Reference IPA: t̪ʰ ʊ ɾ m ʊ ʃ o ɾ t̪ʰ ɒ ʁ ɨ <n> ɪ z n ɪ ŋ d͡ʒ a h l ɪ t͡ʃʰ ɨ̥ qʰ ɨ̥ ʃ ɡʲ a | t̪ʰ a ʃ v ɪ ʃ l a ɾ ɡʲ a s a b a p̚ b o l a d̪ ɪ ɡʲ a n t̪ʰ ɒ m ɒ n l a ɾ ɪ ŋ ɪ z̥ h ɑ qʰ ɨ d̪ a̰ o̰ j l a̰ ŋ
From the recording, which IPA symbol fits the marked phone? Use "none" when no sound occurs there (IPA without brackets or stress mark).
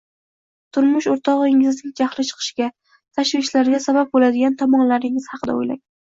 ŋ